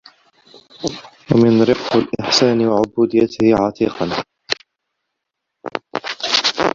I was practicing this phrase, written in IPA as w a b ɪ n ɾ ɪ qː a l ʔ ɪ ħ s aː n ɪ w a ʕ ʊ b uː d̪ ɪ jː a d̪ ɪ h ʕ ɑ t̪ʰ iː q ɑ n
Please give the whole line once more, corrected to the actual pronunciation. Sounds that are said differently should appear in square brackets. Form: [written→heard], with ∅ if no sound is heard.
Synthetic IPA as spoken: w a [b→m] ɪ n ɾ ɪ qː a l ʔ ɪ ħ s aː n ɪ w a ʕ ʊ b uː d̪ ɪ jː a [d̪→t̪] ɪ h ʕ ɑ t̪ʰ iː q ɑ n